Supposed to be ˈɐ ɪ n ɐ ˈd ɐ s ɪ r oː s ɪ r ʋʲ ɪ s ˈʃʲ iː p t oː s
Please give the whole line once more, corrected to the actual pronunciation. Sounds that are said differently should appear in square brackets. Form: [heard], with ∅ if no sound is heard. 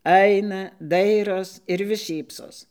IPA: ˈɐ ɪ n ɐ ˈd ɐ [∅] ɪ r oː s ɪ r ʋʲ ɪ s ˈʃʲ iː p [s] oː s